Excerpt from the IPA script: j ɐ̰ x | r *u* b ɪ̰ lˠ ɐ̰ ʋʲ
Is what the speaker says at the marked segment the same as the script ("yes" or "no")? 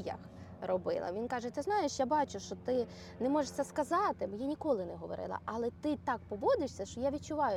no